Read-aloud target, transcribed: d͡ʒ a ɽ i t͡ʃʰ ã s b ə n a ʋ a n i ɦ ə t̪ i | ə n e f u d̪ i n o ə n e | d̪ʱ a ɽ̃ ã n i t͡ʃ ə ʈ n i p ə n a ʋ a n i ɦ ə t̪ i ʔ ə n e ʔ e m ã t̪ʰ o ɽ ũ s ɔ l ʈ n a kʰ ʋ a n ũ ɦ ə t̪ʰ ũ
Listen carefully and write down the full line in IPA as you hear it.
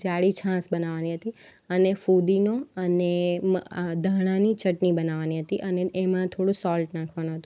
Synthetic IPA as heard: d͡ʒ a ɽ i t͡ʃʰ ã s b ə n a ʋ a n i ɦ ə t̪ i | ə n e f u d̪ i n o ə n e | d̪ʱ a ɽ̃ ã n i t͡ʃ ə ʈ n i b ə n a ʋ a n i ɦ ə t̪ i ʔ ə n e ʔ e m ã t̪ʰ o ɽ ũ s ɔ l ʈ n a kʰ ʋ a n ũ ɦ ə t̪ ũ